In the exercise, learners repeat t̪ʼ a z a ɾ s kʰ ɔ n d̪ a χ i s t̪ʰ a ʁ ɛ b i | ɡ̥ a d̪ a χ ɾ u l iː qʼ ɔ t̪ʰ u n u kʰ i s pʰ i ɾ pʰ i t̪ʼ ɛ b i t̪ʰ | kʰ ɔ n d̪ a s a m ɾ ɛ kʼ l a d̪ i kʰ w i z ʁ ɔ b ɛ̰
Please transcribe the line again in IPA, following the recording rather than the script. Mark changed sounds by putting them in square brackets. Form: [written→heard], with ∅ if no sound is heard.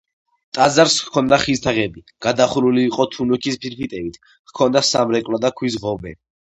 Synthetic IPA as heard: t̪ʼ a z a ɾ s kʰ ɔ n d̪ a χ i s t̪ʰ a ʁ ɛ b i | ɡ̥ a d̪ a χ ɾ u l iː qʼ ɔ t̪ʰ u n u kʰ i s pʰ i ɾ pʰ i t̪ʼ ɛ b i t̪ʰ | kʰ ɔ n d̪ a s a m ɾ ɛ kʼ l a d̪ [i→a] kʰ w i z ʁ ɔ b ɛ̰